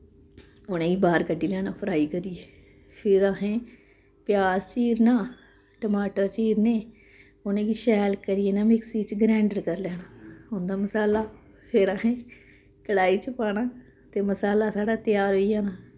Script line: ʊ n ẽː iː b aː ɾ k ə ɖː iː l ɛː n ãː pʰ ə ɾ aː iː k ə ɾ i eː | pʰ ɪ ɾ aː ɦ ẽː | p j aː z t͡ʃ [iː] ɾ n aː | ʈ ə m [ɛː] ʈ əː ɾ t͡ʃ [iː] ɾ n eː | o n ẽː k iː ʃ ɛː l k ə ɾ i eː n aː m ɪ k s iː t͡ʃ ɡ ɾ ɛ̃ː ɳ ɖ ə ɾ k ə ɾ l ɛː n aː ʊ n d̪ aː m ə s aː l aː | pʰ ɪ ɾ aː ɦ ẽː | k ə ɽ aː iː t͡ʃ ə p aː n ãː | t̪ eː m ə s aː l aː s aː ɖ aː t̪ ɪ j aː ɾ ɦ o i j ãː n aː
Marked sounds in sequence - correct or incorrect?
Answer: correct, incorrect: aː, correct

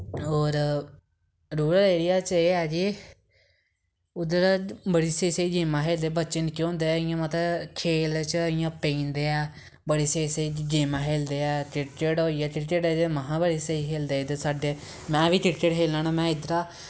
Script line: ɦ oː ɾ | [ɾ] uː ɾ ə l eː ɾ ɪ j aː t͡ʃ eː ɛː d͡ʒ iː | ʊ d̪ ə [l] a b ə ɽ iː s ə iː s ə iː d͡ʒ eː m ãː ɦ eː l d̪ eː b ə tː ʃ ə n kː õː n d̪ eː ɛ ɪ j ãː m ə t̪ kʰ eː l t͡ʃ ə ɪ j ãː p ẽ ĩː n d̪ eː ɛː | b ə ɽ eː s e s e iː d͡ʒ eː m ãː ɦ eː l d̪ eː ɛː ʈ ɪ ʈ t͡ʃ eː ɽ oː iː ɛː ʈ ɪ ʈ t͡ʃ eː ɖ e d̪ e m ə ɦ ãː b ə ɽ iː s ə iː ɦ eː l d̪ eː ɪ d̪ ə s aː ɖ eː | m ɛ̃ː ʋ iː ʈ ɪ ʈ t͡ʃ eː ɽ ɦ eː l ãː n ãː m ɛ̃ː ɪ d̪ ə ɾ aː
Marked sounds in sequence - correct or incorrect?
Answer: correct, incorrect: ɾ

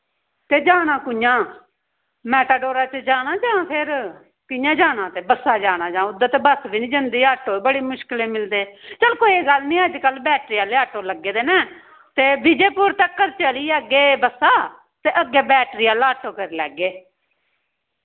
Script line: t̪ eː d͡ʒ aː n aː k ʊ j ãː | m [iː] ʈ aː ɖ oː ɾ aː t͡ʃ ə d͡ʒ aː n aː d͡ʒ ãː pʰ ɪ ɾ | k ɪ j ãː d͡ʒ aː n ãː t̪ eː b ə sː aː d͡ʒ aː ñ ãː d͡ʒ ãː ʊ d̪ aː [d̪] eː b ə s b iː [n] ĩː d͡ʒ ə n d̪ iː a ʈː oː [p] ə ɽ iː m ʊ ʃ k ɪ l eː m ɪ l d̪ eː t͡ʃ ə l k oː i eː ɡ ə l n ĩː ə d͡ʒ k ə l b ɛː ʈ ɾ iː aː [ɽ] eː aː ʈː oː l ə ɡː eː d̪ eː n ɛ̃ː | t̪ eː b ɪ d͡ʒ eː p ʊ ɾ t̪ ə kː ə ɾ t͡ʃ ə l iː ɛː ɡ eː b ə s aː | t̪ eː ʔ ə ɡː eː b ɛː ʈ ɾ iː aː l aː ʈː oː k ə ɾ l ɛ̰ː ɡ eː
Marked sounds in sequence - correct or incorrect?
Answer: incorrect: ɛː, incorrect: t̪, correct, incorrect: b, incorrect: l

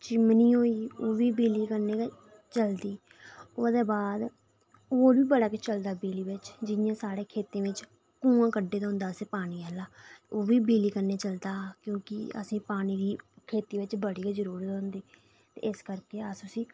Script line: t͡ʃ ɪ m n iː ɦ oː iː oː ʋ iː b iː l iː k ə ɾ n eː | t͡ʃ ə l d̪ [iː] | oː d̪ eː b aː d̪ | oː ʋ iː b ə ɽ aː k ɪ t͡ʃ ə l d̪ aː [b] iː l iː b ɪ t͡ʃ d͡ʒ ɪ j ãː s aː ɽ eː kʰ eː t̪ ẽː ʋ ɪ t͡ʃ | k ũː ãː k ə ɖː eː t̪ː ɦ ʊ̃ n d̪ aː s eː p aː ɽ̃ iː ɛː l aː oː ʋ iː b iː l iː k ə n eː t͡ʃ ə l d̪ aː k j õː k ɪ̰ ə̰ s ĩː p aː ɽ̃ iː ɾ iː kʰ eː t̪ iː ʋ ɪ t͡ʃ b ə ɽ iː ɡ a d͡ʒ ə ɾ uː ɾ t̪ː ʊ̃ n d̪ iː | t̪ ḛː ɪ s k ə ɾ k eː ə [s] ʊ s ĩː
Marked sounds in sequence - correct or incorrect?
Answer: correct, correct, correct

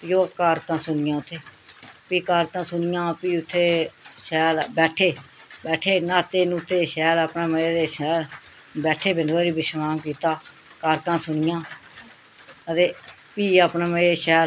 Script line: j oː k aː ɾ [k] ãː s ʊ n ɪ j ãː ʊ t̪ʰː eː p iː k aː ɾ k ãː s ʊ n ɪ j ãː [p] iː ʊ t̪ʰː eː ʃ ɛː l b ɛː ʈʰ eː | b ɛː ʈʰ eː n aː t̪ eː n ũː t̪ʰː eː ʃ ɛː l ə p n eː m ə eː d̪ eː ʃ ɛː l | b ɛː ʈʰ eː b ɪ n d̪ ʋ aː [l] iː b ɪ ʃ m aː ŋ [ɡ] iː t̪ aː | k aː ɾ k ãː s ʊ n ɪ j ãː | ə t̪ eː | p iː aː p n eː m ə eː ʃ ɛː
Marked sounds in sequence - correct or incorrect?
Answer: correct, correct, incorrect: ɾ, incorrect: k

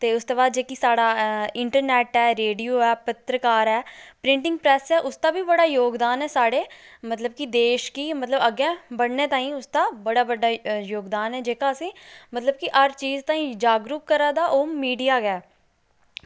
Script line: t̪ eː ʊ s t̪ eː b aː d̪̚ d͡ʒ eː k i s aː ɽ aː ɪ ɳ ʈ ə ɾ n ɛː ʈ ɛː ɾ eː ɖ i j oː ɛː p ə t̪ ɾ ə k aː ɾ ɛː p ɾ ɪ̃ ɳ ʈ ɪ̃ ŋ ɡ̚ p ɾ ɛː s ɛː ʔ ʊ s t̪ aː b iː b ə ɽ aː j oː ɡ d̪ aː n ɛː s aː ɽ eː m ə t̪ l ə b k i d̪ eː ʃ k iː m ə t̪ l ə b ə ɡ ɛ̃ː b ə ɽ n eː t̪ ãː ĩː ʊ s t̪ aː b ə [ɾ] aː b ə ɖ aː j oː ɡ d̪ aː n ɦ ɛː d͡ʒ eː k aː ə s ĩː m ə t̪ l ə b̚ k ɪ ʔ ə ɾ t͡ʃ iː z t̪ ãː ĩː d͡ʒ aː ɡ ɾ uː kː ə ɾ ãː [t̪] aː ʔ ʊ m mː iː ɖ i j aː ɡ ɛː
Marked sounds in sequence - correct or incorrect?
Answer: incorrect: ɽ, incorrect: d̪

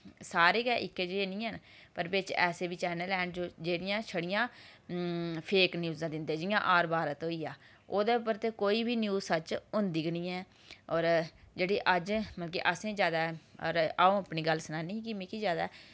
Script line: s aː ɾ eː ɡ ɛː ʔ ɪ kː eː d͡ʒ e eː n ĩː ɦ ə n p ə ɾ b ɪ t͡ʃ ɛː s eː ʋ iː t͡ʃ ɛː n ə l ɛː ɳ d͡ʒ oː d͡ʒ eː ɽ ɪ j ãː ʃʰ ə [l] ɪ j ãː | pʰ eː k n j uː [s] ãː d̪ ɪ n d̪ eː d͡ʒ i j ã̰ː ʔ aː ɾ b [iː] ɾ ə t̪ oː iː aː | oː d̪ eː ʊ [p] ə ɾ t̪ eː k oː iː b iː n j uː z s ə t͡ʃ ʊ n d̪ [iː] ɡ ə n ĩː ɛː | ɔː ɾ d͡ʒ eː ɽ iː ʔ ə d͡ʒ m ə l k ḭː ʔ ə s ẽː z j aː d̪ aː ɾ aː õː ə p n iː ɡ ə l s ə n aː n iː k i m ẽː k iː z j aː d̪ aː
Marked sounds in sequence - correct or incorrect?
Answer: incorrect: ɽ, incorrect: z, incorrect: aː, correct, correct

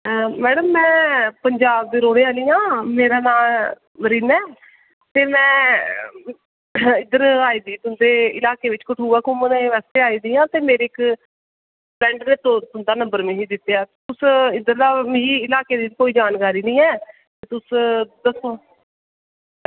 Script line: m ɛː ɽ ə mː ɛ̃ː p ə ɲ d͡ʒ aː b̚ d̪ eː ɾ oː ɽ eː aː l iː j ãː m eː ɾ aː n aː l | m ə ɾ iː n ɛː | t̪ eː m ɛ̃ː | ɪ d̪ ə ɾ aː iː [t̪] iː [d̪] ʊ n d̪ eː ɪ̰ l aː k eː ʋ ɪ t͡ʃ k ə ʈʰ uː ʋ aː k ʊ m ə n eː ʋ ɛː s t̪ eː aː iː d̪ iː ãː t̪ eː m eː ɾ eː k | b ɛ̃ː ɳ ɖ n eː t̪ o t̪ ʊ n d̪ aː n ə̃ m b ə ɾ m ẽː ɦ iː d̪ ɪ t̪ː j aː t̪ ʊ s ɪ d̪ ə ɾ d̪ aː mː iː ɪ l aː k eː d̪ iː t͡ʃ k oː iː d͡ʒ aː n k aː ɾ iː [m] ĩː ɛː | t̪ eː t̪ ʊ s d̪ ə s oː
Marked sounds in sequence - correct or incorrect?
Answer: incorrect: d̪, incorrect: t̪, incorrect: n

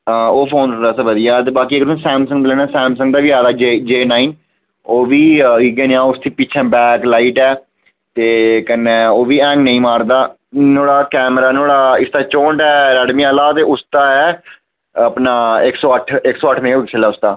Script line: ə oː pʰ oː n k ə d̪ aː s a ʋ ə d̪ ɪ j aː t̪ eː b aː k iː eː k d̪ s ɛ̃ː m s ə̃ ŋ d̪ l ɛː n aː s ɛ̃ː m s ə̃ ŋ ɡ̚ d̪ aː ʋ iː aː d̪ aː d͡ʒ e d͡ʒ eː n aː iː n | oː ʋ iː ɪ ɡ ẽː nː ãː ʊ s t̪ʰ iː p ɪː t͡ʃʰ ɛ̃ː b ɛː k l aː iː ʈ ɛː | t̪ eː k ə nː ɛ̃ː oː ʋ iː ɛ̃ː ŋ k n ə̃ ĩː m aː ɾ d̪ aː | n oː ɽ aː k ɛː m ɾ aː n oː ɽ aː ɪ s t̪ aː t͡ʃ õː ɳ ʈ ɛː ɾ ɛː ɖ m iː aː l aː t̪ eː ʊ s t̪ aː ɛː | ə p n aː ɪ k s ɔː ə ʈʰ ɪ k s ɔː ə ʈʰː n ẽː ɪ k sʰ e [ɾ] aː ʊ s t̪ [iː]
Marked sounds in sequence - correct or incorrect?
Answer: incorrect: l, incorrect: aː

